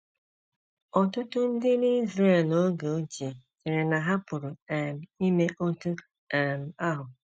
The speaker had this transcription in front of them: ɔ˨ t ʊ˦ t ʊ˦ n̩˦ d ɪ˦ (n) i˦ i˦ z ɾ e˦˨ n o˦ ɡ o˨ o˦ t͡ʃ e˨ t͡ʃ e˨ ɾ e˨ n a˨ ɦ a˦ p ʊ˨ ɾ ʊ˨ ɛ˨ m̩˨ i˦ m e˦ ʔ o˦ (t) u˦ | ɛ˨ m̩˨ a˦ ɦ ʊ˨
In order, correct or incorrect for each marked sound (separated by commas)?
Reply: correct, correct